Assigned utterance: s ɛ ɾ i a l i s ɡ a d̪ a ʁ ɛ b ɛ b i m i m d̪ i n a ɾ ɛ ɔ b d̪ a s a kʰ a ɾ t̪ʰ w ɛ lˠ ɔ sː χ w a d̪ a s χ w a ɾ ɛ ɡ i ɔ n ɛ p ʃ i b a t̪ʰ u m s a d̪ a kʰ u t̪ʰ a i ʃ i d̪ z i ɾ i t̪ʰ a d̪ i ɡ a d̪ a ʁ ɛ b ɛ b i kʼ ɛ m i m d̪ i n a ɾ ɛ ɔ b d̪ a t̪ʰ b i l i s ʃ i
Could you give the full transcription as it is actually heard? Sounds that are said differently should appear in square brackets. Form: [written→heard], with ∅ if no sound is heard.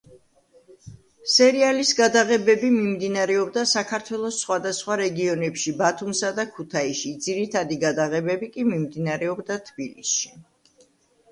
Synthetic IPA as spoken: s ɛ ɾ i a l i s ɡ a d̪ a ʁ ɛ b ɛ b i m i m d̪ i n a ɾ ɛ ɔ b d̪ a s a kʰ a ɾ t̪ʰ w ɛ lˠ ɔ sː χ w a d̪ a s χ w a ɾ ɛ ɡ i ɔ n ɛ p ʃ i b a t̪ʰ u m s a d̪ a kʰ u t̪ʰ a i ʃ i d̪ z i ɾ i t̪ʰ a d̪ i ɡ a d̪ a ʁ ɛ b ɛ b i kʼ [ɛ→i] m i m d̪ i n a ɾ ɛ ɔ b d̪ a t̪ʰ b i l i s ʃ i